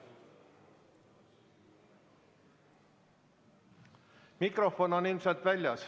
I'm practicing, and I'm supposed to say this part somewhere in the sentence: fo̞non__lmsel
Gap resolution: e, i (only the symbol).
i